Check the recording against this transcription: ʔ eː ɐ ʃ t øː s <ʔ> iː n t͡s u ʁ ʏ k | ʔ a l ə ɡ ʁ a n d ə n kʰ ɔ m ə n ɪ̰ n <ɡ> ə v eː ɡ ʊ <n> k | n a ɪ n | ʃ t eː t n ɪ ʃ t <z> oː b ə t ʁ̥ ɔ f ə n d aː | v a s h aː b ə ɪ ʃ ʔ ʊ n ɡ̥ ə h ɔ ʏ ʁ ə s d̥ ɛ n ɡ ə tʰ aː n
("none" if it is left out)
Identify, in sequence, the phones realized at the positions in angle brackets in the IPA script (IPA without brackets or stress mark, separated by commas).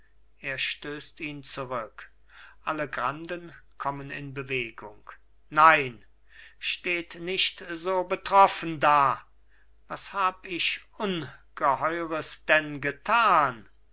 t, b, ŋ, z